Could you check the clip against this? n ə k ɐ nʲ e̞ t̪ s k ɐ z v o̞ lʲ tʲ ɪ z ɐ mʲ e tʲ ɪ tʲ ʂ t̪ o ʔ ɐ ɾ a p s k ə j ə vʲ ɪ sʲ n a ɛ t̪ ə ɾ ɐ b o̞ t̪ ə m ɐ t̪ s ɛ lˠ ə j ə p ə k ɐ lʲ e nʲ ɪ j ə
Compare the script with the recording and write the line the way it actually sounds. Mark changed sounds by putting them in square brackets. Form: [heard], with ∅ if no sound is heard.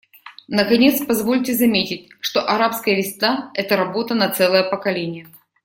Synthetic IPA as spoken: n ə k ɐ nʲ e̞ t̪ s [p] ɐ z v o̞ lʲ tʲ ɪ z ɐ mʲ e tʲ ɪ tʲ ʂ t̪ o ʔ ɐ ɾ a p s k ə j ə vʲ ɪ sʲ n a ɛ t̪ ə ɾ ɐ b o̞ t̪ ə [n] ɐ t̪ s ɛ lˠ ə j ə p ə k ɐ lʲ e nʲ ɪ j ə